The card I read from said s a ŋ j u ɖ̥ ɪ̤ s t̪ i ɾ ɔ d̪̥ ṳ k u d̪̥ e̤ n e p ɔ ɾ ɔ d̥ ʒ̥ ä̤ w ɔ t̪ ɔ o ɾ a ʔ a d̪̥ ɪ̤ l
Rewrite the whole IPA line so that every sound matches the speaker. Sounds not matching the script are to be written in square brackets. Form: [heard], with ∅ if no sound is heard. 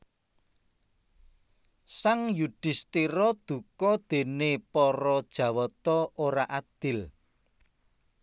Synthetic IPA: s a ŋ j u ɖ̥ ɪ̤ s t̪ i ɾ ɔ d̪̥ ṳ k [ɔ] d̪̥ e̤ n e p ɔ ɾ ɔ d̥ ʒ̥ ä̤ w ɔ t̪ ɔ o ɾ a ʔ a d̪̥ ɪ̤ l

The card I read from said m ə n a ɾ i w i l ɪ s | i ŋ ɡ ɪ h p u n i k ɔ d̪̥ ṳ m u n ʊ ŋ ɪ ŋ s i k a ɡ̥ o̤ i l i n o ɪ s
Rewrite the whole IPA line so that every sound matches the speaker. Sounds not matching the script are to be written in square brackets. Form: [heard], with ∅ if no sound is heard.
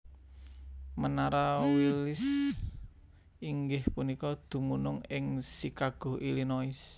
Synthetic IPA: m ə n a ɾ [a] w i l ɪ s | i ŋ ɡ ɪ h p u n i k ɔ d̪̥ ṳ m u n ʊ ŋ ɪ ŋ s i k a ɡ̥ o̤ i l i n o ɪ s

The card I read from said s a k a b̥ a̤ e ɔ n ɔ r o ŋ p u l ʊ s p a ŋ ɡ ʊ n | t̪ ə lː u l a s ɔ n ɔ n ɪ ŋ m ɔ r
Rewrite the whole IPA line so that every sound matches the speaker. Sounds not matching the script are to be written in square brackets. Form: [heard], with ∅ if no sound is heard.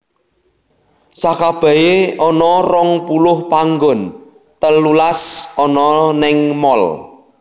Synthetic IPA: s a k a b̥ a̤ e ɔ n ɔ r [ɔ] ŋ p u l ʊ [h] p a ŋ ɡ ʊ n | t̪ ə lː u l a s ɔ n ɔ n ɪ ŋ m ɔ [l]

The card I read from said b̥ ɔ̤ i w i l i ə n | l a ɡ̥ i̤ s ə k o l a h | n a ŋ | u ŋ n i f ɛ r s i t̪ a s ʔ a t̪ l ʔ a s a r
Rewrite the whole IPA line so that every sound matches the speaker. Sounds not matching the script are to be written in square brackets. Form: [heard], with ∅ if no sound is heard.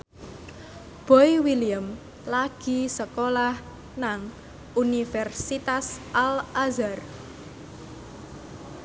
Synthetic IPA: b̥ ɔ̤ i w i l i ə [m] | l a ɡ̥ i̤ s ə k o l a h | n a ŋ | u [∅] n i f ɛ r s i t̪ a s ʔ a [∅] l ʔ a [z] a r

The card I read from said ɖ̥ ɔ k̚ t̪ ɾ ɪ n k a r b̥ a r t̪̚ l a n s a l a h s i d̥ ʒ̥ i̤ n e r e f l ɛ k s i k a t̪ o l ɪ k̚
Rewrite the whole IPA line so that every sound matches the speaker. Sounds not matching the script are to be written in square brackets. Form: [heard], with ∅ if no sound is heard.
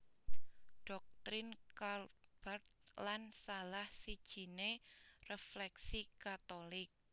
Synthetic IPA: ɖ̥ ɔ k̚ t̪ ɾ ɪ n k a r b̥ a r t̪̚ l a n s a l a h s i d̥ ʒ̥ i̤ n e r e f l ɛ k s i k a t̪ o l ɪ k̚

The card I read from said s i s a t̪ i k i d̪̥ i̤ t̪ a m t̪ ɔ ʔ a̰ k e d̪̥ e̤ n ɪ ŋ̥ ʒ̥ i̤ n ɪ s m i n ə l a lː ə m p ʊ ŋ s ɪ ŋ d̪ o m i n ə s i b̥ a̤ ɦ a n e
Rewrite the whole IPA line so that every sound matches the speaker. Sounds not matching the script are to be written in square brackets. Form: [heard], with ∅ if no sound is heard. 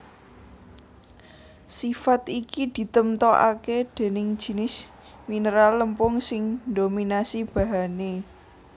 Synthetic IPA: s i [f] a t̪ i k i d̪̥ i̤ t̪ [ə] m t̪ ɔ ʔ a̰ k e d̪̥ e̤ n ɪ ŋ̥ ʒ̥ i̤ n ɪ s m i n ə [ɾ] a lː ə m p ʊ ŋ s ɪ ŋ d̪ o m i n [a] s i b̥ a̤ ɦ a n e

